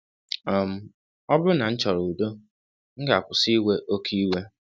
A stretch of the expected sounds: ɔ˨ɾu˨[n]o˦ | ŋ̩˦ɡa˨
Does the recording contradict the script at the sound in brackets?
yes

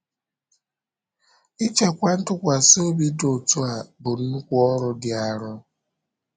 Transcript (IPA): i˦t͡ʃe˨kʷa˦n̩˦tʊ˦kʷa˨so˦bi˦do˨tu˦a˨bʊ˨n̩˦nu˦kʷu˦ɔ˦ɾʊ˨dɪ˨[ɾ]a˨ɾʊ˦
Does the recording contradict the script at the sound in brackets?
yes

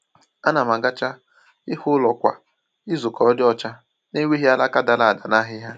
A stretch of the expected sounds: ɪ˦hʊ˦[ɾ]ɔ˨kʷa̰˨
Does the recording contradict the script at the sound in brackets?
yes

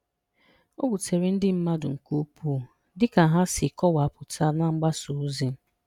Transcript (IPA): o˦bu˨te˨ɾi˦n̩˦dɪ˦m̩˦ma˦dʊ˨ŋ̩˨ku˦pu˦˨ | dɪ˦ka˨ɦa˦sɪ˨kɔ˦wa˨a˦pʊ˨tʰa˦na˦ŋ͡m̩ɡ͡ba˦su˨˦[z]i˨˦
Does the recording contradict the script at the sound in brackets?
no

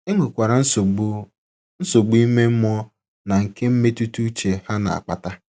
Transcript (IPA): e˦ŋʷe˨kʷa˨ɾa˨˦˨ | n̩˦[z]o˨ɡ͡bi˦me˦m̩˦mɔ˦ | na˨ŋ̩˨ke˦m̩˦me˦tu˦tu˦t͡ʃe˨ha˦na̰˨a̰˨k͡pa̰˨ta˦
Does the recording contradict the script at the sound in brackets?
yes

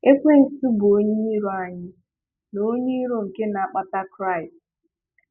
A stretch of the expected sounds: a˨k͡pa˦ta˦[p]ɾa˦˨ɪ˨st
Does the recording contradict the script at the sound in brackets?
yes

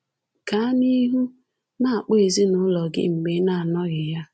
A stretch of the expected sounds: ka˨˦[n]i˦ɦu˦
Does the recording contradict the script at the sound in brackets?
no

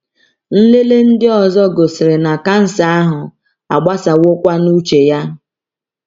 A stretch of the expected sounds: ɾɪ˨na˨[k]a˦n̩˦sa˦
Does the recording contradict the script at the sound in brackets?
no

